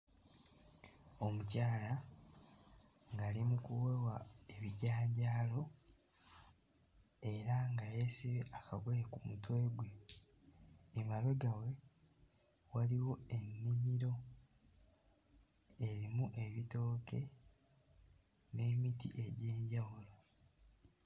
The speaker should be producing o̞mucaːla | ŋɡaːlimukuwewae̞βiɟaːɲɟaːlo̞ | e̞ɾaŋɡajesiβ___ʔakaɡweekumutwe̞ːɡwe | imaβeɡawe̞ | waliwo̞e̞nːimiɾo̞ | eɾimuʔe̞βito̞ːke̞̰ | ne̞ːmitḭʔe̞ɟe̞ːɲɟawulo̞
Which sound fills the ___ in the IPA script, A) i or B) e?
B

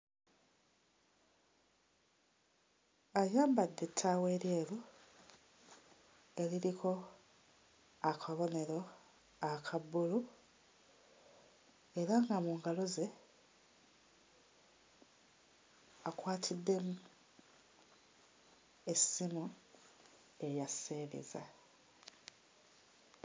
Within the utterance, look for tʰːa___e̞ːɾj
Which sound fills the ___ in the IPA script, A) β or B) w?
B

